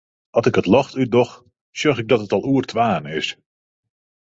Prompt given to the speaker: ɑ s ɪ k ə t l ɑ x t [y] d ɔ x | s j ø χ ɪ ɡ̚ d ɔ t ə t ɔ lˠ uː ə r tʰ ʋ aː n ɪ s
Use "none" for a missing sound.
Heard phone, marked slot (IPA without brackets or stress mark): y